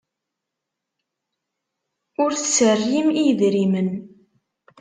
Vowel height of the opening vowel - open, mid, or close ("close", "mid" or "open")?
close